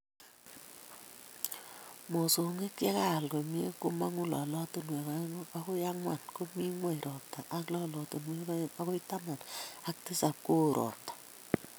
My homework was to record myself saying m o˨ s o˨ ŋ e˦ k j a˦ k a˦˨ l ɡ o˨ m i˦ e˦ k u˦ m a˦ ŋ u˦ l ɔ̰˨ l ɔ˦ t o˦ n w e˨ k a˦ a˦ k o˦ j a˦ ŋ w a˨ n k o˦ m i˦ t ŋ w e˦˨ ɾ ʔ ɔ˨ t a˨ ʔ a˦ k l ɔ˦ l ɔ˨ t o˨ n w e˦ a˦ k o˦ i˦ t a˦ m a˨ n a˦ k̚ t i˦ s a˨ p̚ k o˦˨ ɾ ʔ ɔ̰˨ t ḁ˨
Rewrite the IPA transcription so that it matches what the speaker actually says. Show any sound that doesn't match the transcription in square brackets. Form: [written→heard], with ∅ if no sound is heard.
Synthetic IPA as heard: m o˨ s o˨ ŋ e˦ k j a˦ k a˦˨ l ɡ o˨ m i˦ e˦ k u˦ m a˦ ŋ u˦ l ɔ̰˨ l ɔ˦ t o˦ n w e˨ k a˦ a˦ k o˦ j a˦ ŋ w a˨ n k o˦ m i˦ [t→∅] ŋ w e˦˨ ɾ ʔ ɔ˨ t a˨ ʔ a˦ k l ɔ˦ l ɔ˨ t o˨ n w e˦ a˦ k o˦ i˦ t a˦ m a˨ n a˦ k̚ t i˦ s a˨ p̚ k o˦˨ ɾ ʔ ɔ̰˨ t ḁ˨